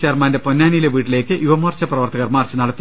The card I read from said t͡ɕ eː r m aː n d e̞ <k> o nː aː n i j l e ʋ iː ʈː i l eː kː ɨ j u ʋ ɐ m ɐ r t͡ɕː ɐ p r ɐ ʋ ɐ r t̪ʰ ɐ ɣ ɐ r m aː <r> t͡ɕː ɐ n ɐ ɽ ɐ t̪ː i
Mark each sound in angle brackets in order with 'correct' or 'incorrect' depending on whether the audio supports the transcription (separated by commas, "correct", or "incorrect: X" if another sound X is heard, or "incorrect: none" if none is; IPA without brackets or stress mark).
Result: incorrect: p, correct